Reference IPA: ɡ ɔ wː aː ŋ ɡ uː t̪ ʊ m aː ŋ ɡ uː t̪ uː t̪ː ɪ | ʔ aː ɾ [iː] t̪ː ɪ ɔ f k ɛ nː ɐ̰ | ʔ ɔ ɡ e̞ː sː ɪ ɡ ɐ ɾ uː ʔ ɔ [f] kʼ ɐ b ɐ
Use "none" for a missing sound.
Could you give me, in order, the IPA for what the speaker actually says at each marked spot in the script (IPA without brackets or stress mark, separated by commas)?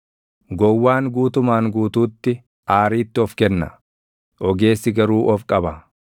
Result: iː, f